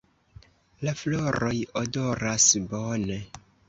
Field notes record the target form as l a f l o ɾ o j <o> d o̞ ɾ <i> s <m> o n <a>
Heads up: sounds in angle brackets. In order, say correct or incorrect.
correct, incorrect: a, incorrect: b, incorrect: e

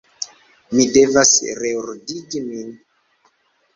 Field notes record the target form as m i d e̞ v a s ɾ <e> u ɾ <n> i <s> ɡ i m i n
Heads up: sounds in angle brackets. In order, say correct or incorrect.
correct, incorrect: d, incorrect: none

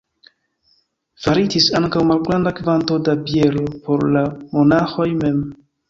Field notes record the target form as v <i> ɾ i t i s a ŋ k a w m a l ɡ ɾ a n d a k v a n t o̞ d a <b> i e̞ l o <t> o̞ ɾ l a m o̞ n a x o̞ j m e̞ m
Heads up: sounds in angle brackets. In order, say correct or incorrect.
incorrect: a, correct, incorrect: p

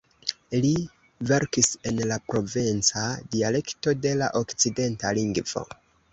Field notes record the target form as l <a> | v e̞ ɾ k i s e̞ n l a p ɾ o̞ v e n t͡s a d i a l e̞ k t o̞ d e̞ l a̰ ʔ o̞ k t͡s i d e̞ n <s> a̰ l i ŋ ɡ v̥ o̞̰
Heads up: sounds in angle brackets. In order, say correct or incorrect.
incorrect: i, incorrect: t

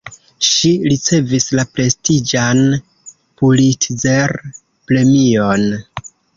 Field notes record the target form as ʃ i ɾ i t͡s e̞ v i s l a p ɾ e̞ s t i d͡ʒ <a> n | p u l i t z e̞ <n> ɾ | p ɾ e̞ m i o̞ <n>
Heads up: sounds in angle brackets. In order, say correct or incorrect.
correct, incorrect: none, correct

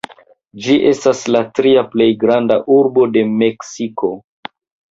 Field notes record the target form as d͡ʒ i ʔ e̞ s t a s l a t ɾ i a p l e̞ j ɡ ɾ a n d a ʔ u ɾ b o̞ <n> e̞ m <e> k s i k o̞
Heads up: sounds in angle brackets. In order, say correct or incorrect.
incorrect: d, correct

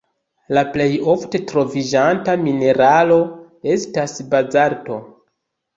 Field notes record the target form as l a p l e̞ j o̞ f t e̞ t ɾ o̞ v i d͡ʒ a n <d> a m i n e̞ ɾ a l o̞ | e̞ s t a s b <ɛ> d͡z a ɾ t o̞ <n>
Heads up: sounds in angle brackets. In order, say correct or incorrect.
incorrect: t, incorrect: a, incorrect: none

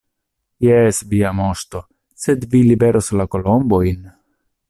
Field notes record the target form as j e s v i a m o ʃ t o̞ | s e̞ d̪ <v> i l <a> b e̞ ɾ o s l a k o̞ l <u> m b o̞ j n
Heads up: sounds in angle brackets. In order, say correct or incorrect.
correct, incorrect: i, incorrect: o

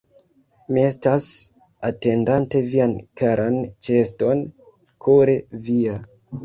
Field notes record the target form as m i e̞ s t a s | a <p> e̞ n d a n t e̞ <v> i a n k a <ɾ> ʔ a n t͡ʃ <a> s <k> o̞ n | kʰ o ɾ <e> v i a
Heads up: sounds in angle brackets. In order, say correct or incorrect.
incorrect: t, correct, correct, incorrect: e, incorrect: t, correct

